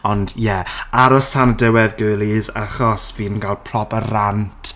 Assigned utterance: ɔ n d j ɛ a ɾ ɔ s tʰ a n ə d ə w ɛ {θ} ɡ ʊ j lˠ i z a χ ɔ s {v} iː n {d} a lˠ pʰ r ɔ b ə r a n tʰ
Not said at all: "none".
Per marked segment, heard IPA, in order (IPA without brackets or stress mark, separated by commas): ð, v, ɡ